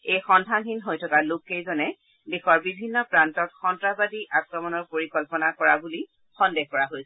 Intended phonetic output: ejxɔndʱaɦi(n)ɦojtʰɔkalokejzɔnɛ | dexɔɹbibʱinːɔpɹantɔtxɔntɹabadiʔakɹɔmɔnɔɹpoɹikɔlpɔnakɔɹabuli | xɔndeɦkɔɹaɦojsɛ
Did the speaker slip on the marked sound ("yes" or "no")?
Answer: no